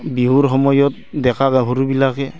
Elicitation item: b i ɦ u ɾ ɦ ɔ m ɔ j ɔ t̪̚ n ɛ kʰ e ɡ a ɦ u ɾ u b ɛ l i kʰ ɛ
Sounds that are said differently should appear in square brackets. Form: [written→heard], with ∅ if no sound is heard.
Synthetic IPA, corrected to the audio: b i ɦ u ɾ ɦ ɔ m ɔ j ɔ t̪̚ [n→d] ɛ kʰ [e→a] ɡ a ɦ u ɾ u b [ɛ→i] l [i→a] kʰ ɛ